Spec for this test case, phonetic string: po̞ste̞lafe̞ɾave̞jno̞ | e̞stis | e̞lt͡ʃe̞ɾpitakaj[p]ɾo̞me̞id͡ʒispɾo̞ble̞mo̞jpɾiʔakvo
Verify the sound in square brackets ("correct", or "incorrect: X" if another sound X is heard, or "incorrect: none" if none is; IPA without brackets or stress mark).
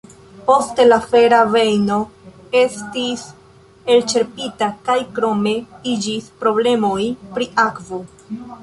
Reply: incorrect: k